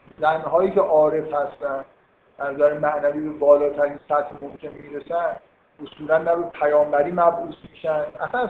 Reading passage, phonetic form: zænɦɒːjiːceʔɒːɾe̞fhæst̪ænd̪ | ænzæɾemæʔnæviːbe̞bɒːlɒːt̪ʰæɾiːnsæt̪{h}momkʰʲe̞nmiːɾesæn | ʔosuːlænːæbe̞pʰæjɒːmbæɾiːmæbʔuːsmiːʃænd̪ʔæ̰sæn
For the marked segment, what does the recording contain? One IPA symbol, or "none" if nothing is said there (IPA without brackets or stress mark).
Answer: h